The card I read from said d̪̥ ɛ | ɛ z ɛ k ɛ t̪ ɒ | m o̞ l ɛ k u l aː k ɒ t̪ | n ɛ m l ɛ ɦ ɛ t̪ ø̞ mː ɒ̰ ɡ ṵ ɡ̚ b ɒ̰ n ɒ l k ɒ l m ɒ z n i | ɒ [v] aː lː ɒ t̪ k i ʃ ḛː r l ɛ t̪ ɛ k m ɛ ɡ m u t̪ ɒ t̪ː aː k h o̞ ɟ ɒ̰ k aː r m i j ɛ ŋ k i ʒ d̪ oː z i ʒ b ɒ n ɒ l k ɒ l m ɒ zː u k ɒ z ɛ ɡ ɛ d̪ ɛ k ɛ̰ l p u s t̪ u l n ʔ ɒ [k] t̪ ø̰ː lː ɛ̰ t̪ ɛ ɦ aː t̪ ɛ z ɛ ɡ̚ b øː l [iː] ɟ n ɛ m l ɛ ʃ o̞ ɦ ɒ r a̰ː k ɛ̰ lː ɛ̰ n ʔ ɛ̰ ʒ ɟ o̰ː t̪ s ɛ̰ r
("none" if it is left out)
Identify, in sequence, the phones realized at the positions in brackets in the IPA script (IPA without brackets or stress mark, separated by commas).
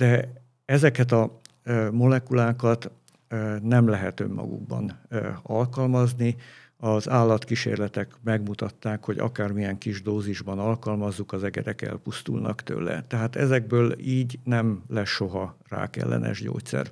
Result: z, k, iː